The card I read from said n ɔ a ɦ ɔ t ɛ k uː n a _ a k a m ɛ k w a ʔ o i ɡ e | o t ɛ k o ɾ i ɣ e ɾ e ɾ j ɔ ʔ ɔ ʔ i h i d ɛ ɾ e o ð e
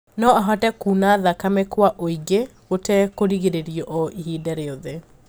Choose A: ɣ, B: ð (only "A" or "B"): B